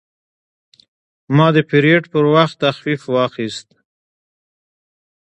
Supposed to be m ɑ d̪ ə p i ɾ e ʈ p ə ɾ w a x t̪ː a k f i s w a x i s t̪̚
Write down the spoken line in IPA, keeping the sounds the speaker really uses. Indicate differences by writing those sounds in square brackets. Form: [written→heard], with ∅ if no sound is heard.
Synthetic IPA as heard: m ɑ d̪ ə p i ɾ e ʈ p ə ɾ w a x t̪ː a [k→x] f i [s→f] w [a→ɑ] x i s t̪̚